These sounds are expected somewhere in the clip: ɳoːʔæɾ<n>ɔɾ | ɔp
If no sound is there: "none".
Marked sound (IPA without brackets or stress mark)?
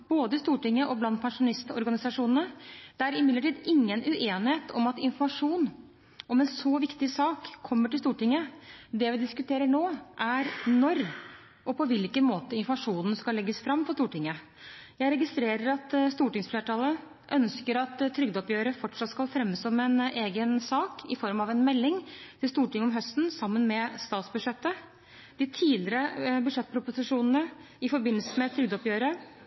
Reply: n